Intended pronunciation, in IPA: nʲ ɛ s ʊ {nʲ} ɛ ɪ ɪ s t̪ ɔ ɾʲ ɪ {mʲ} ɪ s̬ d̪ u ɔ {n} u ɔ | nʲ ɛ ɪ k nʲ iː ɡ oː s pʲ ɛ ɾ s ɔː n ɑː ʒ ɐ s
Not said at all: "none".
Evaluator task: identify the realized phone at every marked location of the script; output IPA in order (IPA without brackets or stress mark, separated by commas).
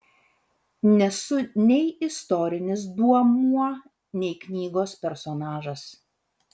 nʲ, nʲ, m